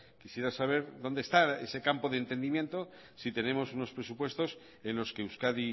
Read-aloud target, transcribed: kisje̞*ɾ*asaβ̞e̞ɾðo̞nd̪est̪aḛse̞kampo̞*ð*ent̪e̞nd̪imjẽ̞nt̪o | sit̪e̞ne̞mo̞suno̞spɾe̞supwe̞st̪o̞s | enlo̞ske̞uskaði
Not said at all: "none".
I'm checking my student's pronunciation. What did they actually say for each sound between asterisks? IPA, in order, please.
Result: ɾ, ð

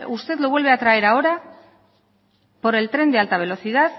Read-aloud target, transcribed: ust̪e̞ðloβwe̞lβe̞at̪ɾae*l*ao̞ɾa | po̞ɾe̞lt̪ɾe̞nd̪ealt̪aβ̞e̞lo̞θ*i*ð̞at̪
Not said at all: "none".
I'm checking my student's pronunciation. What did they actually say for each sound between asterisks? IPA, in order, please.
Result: ɾ, i

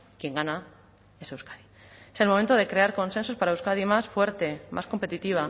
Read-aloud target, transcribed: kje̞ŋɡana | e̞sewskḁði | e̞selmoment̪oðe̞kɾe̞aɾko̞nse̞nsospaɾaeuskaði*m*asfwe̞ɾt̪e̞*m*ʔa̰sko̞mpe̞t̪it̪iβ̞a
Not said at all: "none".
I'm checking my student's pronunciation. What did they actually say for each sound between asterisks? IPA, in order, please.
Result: m, m

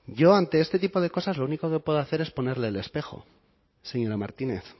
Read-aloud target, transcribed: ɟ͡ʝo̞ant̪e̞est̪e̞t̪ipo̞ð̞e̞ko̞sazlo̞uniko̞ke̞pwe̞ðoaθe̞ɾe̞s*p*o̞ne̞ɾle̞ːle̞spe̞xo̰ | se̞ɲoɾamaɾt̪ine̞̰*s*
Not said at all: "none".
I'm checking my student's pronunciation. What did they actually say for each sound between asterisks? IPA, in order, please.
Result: p, θ

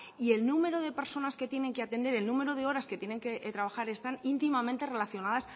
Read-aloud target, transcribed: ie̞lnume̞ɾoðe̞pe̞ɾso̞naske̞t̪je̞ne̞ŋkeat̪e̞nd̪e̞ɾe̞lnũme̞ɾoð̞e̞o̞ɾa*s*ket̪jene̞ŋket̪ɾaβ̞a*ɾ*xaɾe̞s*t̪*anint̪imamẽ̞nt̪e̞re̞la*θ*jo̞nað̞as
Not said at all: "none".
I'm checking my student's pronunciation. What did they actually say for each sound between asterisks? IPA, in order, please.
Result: s, none, t̪, θ

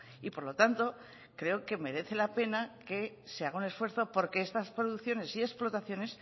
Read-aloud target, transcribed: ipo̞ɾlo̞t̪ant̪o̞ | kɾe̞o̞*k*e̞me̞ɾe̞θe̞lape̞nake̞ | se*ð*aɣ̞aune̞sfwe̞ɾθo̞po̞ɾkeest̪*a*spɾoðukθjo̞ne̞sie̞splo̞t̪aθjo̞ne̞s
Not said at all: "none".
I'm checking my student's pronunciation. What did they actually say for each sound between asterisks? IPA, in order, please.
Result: k, none, a

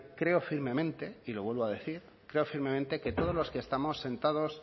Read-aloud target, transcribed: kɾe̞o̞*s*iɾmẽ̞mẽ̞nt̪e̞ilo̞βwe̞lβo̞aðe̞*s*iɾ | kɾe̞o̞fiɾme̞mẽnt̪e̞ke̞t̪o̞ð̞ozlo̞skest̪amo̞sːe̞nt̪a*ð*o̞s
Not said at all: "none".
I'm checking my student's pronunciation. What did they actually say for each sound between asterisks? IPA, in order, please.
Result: f, θ, ð

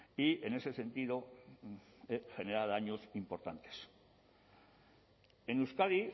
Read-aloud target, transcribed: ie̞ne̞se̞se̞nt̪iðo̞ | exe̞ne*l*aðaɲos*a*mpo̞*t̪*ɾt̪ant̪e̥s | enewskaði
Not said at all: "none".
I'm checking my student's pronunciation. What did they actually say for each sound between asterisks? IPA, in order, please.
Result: ɾ, i, none

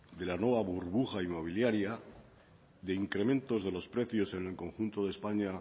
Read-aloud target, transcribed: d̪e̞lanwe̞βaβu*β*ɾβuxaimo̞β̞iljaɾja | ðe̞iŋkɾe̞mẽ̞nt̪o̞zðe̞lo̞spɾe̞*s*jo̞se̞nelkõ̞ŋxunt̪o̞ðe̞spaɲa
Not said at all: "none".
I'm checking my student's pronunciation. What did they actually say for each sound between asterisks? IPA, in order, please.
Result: none, θ

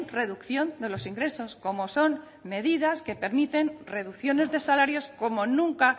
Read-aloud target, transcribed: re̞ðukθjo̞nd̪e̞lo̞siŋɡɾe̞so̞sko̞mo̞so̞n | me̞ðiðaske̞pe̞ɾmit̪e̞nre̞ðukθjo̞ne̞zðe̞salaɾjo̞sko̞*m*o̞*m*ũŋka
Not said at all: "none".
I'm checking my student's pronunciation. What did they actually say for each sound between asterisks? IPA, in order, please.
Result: m, n

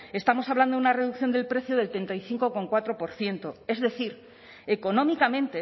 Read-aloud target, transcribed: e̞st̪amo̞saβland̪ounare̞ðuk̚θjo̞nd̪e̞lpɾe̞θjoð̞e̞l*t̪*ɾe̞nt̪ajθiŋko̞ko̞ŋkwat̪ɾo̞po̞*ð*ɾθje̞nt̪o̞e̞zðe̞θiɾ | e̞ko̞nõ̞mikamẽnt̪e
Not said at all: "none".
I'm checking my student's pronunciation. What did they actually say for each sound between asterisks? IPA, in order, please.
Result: t̪, none

